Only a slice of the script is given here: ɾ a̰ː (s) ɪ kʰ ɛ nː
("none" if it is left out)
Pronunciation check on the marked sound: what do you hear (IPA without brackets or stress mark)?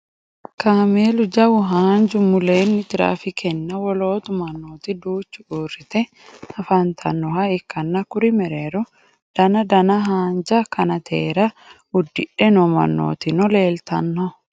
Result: f